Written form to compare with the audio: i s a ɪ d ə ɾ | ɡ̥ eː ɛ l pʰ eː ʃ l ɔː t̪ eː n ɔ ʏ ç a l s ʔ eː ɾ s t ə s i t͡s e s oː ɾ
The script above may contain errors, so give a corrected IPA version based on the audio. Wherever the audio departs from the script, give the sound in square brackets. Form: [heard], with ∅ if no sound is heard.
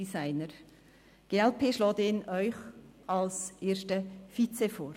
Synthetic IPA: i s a ɪ [n] ə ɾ | ɡ̥ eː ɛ l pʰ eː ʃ l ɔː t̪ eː n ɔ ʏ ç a l s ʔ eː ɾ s t ə [f] i t͡s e [f] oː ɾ

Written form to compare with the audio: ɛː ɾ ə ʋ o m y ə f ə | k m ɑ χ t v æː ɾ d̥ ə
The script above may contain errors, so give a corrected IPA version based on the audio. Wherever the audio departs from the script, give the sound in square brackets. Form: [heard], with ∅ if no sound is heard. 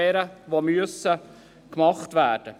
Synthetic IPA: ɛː ɾ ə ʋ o m y ə [s] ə | k m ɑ χ t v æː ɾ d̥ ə

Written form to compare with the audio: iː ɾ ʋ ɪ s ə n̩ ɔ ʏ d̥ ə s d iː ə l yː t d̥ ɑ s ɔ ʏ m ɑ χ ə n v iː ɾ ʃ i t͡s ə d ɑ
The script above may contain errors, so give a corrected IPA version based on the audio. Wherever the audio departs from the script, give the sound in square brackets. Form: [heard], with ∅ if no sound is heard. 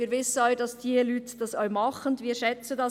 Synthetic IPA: iː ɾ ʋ ɪ s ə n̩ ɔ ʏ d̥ [ɑ] s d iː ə l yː t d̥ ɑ s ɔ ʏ m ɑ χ ə n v iː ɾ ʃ [ɛ] t͡s ə d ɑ

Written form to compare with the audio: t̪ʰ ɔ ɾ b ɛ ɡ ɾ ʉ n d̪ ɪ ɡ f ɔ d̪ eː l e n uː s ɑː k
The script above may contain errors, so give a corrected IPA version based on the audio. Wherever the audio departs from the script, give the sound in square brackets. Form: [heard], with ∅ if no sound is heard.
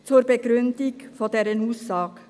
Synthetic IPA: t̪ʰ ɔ ɾ b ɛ ɡ ɾ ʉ n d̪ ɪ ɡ f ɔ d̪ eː [ɾ] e n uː s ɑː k

